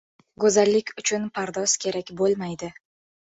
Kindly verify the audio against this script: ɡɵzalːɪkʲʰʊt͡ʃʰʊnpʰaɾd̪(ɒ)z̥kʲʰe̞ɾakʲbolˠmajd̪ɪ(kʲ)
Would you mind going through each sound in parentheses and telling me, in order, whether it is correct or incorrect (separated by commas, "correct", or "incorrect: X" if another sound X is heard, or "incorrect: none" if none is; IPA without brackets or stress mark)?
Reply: correct, incorrect: none